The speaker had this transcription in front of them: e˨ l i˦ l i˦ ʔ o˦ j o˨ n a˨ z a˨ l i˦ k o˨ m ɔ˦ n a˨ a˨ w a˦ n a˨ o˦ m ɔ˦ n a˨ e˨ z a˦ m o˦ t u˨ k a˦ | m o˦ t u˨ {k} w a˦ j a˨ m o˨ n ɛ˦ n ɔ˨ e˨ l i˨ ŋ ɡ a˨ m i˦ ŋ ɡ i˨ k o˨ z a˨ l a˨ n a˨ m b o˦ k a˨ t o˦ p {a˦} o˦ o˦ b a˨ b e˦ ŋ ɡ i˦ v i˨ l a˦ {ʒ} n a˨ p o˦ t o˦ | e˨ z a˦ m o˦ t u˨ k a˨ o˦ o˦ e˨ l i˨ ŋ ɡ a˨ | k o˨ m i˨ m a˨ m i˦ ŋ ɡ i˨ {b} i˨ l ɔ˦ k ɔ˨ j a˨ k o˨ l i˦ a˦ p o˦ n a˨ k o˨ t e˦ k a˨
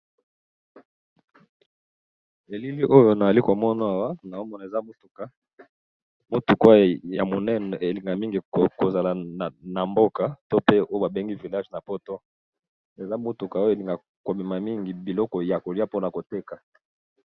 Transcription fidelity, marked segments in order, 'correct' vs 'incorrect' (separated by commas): correct, incorrect, correct, correct